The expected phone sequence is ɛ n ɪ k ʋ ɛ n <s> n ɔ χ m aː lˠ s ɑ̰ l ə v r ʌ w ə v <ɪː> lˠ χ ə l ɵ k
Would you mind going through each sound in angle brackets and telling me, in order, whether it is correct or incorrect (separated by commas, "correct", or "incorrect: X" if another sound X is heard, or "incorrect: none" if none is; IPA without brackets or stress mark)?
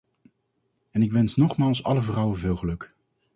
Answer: correct, correct